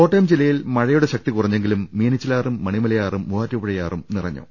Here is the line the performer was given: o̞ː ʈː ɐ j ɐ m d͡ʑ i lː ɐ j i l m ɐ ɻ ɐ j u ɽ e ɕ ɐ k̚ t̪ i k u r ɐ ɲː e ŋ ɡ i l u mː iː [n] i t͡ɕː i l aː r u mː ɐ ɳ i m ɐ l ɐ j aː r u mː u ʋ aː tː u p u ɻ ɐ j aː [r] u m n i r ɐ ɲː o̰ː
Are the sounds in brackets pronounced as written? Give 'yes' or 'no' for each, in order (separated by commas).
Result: yes, yes